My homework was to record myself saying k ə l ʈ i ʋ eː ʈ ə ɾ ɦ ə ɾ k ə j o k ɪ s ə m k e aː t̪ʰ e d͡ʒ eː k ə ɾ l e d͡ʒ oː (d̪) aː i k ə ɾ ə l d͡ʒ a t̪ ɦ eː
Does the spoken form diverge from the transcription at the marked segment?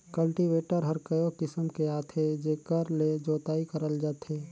yes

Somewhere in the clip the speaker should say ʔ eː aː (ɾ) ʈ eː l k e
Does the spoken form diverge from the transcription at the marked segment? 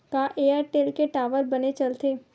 no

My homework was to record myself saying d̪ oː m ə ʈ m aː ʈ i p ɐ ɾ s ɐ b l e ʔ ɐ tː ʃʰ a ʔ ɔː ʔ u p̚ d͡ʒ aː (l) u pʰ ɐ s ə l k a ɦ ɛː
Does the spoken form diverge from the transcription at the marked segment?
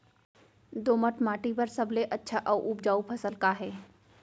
yes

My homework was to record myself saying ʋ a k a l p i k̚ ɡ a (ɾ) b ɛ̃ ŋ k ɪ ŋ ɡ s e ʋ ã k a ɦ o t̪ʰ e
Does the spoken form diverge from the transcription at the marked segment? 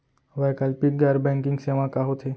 no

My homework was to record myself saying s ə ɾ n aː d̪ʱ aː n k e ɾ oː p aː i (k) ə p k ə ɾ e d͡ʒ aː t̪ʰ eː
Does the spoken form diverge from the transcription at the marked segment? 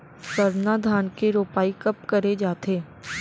no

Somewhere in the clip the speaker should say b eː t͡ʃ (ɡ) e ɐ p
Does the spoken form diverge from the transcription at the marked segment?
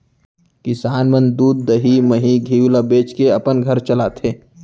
yes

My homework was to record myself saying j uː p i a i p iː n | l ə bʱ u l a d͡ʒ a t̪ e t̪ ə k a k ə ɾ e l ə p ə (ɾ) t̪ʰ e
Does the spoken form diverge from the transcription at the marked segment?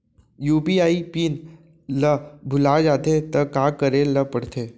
yes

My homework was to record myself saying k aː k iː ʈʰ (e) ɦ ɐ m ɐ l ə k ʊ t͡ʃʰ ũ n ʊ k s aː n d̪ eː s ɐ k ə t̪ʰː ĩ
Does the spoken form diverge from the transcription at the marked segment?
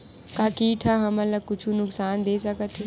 yes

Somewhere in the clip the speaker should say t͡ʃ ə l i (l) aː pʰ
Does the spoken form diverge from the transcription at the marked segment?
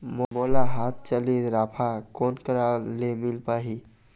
yes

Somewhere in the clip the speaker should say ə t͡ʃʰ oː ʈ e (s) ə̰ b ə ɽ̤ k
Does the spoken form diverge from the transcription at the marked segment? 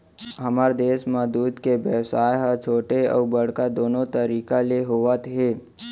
yes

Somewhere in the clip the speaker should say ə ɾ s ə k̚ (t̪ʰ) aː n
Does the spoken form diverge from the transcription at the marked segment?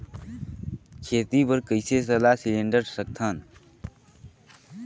no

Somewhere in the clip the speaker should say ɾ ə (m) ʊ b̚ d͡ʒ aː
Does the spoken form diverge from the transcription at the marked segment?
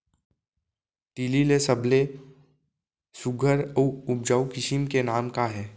yes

